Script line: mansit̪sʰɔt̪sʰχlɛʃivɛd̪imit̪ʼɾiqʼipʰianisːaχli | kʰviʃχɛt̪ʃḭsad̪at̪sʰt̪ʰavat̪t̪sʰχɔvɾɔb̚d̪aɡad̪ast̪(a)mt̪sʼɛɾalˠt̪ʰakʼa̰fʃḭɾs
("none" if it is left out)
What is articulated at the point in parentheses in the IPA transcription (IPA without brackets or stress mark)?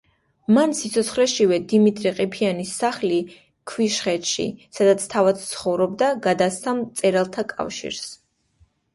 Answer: a